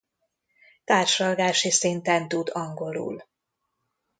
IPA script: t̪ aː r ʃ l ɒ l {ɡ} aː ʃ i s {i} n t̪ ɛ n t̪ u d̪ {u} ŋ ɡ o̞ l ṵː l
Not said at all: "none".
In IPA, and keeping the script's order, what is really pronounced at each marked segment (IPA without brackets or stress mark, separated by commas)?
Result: ɡ, i, ɒ